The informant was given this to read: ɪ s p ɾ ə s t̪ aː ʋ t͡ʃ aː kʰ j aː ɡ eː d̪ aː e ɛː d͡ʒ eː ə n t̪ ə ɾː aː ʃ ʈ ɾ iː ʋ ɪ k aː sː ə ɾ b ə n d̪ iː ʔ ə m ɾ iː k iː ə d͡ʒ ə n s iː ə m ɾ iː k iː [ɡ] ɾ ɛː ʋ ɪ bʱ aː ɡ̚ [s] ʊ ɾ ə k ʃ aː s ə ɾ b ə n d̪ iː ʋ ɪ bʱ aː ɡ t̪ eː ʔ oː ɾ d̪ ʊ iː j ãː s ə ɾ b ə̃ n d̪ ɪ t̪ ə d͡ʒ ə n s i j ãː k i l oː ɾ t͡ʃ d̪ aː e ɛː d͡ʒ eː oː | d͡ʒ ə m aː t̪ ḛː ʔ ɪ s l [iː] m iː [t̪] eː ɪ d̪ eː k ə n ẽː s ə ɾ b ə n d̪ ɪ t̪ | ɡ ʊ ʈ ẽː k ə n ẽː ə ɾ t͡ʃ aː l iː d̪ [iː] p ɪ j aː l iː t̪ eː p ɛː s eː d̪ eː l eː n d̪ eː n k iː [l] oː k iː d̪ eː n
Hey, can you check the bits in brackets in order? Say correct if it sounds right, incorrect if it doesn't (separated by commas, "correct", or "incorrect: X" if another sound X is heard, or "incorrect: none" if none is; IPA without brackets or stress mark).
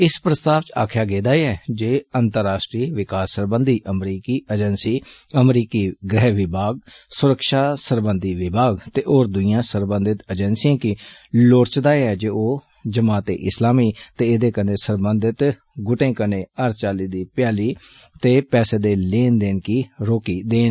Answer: correct, correct, incorrect: aː, correct, correct, incorrect: ɾ